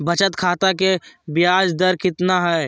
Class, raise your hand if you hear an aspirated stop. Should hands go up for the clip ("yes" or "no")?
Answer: yes